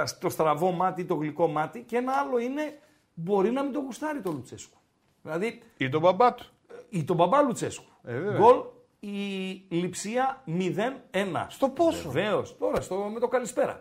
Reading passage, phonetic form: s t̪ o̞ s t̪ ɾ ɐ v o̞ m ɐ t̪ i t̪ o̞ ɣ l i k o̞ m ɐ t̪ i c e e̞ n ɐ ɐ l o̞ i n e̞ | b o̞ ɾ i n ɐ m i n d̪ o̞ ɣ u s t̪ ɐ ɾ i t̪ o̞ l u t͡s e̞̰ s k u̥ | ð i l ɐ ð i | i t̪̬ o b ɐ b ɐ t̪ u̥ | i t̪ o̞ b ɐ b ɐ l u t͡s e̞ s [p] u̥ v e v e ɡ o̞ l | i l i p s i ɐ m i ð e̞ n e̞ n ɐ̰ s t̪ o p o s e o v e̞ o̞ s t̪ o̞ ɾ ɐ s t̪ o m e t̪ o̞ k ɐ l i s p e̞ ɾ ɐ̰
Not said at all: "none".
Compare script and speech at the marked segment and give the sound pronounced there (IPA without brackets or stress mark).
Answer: k